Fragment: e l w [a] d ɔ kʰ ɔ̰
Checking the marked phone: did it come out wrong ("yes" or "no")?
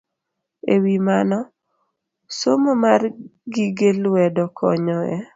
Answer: yes